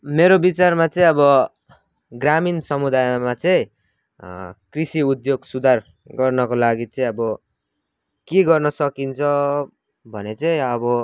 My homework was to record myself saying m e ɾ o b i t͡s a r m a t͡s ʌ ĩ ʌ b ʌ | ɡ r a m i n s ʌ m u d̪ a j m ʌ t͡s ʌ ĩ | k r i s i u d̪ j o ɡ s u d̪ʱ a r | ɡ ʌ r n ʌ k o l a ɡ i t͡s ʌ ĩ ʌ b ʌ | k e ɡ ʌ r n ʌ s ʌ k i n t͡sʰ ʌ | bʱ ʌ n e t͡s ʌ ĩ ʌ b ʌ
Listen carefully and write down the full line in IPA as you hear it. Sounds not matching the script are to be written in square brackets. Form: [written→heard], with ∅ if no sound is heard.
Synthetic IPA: m e ɾ o b i t͡s a r m a t͡s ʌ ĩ ʌ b ʌ | ɡ r a m i n s ʌ m u d̪ a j m [ʌ→a] t͡s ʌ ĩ | k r i s i u d̪ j o ɡ s u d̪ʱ a r | ɡ ʌ r n ʌ k o l a ɡ i t͡s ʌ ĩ ʌ b ʌ | k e ɡ ʌ r n ʌ s ʌ k i n t͡sʰ ʌ | bʱ ʌ n e t͡s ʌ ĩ ʌ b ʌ